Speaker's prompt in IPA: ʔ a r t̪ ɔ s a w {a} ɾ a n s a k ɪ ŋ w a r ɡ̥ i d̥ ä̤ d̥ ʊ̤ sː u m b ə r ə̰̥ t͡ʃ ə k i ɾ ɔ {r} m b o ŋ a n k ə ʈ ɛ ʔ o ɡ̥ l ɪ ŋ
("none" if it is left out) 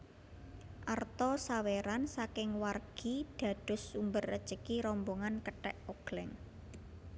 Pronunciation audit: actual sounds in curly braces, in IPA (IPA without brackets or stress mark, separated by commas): e, none